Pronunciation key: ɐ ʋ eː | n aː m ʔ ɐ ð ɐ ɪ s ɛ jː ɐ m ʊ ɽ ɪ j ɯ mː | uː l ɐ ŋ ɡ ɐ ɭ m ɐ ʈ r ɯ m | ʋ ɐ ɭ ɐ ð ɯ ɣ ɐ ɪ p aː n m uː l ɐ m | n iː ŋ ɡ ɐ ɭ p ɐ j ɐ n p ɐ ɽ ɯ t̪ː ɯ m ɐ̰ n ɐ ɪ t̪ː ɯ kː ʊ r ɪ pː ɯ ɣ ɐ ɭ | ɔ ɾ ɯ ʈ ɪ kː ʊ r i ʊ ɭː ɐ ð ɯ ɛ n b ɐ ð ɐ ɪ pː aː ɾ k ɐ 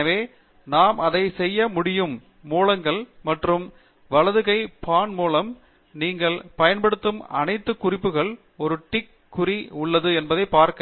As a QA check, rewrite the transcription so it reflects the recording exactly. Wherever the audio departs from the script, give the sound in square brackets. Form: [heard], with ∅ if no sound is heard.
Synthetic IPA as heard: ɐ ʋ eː | n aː m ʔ ɐ ð ɐ ɪ s ɛ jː ɐ m ʊ ɽ ɪ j ɯ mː | uː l ɐ ŋ ɡ ɐ ɭ m ɐ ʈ r ɯ m | ʋ ɐ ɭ ɐ ð ɯ ɣ ɐ ɪ p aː n m uː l ɐ m | n iː ŋ ɡ ɐ ɭ p ɐ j ɐ n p ɐ ɽ ɯ t̪ː ɯ m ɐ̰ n ɐ ɪ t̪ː ɯ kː ʊ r ɪ pː ɯ ɣ ɐ ɭ | ɔ ɾ ɯ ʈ ɪ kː ʊ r i ʊ ɭː ɐ ð ɯ ɛ n b ɐ ð ɐ ɪ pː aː ɾ k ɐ